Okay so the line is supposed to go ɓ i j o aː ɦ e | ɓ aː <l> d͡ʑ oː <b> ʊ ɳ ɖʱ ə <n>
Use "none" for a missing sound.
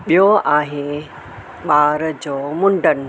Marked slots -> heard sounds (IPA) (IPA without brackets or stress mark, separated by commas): ɾ, m, n